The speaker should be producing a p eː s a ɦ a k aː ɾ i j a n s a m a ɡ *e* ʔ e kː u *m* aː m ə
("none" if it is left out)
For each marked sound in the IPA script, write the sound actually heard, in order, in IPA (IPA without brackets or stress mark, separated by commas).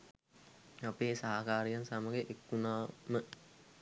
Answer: e, n